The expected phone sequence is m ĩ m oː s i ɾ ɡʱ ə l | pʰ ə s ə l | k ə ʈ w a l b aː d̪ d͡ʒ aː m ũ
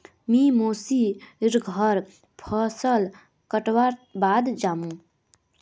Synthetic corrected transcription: m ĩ m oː s i ɾ ɡʱ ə ɾ | pʰ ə s ə l | k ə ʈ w a ɾ b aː d̪ d͡ʒ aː m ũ